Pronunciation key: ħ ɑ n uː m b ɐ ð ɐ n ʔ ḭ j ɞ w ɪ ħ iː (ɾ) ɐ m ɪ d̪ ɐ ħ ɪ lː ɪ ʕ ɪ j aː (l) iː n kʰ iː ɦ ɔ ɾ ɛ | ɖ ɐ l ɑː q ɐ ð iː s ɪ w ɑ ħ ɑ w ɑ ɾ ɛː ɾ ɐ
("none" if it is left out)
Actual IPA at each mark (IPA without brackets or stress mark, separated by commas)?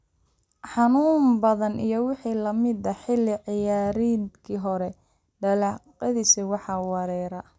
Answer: l, ɾ